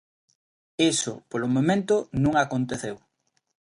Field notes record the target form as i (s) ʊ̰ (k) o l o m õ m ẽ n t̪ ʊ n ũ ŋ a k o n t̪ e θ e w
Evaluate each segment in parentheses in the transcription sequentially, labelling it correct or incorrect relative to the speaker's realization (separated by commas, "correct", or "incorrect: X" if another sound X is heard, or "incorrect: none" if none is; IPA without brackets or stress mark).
correct, incorrect: p